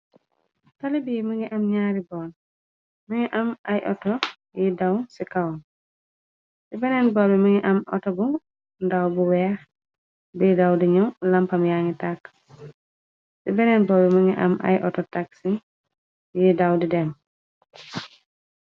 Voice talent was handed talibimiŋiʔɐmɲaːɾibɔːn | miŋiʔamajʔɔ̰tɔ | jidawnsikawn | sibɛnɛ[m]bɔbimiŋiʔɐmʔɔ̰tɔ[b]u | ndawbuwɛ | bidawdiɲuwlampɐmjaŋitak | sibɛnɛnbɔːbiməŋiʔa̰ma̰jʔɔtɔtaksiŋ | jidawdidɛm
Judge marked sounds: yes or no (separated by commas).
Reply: no, yes